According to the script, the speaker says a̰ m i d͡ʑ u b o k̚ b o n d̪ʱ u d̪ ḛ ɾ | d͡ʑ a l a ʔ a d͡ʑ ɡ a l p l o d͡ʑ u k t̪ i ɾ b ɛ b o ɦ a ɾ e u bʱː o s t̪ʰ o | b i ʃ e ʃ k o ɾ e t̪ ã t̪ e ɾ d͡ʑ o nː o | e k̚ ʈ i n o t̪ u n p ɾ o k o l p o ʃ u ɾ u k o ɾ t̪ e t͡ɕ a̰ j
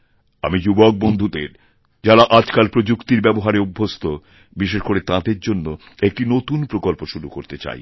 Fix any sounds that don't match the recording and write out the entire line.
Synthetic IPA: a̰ m i d͡ʑ u b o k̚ b o n d̪ʱ u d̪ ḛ ɾ | d͡ʑ a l a ʔ a d͡ʑ k a l p ɾ o d͡ʑ u k t̪ i ɾ b ɛ b o ɦ a ɾ e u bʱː o s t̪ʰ o | b i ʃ e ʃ k o ɾ e t̪ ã d̪ e ɾ d͡ʑ o nː o | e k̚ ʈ i n o t̪ u n p ɾ o k o l p o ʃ u ɾ u k o ɾ t̪ e t͡ɕ a̰ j